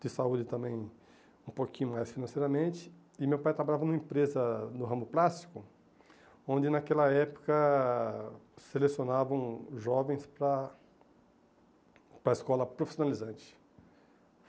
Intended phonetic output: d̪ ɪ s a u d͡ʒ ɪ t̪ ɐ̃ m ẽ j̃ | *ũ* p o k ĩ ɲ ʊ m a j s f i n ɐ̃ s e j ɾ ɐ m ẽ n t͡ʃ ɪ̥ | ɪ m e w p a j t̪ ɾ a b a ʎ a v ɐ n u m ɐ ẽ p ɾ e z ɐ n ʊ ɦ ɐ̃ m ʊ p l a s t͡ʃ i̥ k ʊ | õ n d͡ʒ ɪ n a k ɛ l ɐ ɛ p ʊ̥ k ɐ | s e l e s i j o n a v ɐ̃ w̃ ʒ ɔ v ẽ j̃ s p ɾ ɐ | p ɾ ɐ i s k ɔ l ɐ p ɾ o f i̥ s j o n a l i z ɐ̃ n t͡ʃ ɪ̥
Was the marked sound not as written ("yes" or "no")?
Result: no